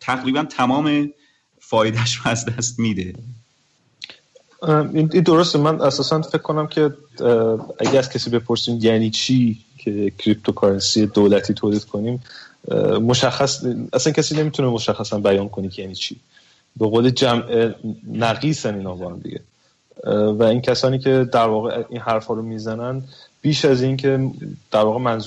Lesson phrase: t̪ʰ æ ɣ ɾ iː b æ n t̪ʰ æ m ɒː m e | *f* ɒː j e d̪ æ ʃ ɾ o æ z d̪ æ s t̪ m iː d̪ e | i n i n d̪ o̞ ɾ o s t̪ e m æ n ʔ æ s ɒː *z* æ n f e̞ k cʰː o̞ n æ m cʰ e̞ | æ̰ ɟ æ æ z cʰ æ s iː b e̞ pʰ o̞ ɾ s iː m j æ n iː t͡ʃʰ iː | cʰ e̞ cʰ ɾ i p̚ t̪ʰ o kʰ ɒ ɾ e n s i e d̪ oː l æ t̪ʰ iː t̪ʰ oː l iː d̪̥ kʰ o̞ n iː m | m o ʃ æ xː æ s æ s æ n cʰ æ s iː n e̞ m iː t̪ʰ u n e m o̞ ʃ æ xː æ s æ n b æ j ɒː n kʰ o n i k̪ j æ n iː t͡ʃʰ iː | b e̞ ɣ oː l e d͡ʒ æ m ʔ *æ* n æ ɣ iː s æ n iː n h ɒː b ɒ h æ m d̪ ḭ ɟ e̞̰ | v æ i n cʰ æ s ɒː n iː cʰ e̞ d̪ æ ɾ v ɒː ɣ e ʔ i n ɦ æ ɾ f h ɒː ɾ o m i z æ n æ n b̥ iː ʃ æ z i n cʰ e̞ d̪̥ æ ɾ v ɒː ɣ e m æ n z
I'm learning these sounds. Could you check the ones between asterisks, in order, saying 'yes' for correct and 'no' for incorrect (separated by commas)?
yes, no, no